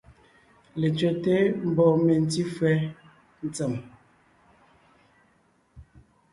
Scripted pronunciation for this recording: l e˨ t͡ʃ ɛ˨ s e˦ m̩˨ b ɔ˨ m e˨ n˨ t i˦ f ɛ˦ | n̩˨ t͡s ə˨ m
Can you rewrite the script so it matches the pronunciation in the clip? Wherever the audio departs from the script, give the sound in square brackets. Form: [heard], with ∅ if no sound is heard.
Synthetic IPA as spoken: l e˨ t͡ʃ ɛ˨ [t] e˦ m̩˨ b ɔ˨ m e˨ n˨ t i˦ f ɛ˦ | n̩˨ t͡s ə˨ m